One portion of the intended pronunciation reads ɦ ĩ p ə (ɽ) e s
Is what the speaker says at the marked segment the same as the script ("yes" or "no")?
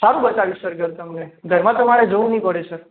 yes